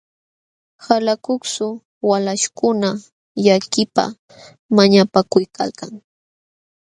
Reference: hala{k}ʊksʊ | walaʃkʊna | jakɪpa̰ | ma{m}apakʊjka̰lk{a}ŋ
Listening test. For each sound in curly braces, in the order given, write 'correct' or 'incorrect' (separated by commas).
correct, incorrect, correct